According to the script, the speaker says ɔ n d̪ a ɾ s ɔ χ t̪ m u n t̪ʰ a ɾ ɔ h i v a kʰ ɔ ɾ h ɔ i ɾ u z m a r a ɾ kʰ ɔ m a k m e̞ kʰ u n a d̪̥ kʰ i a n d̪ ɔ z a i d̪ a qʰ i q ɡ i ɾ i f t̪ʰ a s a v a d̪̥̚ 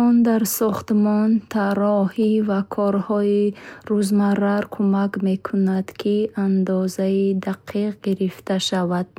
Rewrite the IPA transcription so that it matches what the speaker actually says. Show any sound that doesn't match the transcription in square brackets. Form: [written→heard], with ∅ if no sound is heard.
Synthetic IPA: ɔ n d̪ a ɾ s ɔ χ t̪ m [u→ɔ] n t̪ʰ a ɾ ɔ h i v a kʰ ɔ ɾ h ɔ i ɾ u z m a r a ɾ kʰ [ɔ→u] m a k m e̞ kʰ u n a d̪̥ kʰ i a n d̪ ɔ z a i d̪ a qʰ i q ɡ i ɾ i f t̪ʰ a [s→ʃ] a v a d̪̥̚